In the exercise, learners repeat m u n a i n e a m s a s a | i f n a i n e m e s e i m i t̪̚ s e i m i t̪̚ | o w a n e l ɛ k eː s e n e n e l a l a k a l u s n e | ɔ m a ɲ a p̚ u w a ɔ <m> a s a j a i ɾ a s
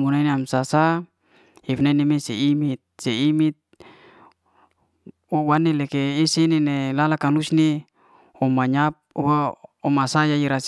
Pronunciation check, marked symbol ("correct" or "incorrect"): correct